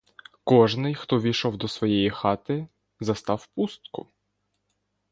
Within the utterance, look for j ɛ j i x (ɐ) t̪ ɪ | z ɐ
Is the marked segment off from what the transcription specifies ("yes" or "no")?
yes